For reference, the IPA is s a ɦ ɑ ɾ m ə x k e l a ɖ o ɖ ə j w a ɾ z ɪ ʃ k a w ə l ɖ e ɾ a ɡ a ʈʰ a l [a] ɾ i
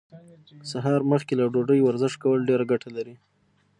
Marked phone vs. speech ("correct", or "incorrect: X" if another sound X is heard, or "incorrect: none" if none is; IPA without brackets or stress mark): correct